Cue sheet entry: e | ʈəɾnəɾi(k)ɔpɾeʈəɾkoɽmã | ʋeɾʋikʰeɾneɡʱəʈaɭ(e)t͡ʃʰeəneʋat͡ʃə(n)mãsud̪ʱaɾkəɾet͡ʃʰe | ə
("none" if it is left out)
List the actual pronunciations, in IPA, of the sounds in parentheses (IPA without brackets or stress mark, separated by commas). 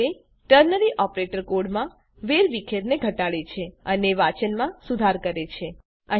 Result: ʔ, e, n